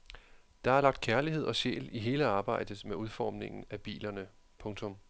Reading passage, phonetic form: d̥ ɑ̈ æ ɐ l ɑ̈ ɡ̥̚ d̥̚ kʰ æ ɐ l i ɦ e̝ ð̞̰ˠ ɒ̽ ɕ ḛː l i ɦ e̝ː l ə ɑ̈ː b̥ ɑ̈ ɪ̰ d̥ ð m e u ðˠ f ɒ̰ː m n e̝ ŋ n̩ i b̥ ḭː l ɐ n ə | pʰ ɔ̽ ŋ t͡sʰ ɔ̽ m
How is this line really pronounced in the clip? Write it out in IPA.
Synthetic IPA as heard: d̥ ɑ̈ æ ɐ l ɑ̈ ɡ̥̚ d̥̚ kʰ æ ɐ l i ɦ e̝ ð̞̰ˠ ɒ̽ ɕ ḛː l i ɦ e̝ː l ə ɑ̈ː b̥ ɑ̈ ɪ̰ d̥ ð m e u ðˠ f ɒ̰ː m n e̝ ŋ n̩ æ b̥ ḭː l ɐ n ə | pʰ ɔ̽ ŋ t͡sʰ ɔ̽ m